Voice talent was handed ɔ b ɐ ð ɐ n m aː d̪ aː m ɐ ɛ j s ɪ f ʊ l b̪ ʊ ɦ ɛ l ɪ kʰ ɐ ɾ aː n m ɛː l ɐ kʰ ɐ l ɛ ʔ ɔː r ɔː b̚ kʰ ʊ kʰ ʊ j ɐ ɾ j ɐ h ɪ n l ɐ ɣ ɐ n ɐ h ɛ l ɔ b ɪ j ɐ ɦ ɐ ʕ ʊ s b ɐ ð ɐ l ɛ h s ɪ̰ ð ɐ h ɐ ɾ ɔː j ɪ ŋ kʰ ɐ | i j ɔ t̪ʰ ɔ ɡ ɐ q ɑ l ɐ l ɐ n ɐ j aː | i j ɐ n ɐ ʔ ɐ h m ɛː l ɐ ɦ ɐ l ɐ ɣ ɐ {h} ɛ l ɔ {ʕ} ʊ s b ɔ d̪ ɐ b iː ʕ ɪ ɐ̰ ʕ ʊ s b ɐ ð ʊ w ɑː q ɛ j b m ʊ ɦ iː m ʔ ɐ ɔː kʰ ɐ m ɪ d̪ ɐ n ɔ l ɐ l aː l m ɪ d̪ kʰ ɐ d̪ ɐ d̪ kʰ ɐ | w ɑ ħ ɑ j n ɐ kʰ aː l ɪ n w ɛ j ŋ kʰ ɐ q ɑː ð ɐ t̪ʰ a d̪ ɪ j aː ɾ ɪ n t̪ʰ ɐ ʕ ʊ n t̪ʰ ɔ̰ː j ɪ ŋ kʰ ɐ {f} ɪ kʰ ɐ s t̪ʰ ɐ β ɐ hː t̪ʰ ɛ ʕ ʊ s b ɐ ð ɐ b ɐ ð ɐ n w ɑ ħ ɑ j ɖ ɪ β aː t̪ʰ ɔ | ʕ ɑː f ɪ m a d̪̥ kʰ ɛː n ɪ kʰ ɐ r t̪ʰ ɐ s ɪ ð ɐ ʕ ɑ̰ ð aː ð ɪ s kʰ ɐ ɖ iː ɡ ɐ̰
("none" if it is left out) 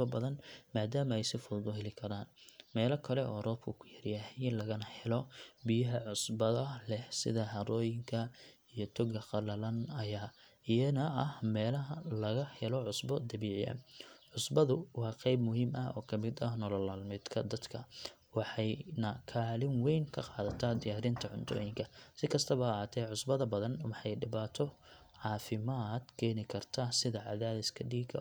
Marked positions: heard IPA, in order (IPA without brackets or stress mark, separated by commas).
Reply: h, ʕ, s